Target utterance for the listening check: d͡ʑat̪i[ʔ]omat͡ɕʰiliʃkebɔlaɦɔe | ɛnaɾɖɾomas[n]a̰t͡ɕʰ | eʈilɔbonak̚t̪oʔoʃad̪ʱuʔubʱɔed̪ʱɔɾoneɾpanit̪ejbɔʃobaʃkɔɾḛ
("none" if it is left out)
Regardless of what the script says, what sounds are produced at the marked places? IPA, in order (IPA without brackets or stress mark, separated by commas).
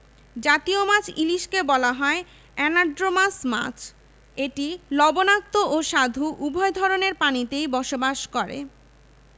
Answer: none, m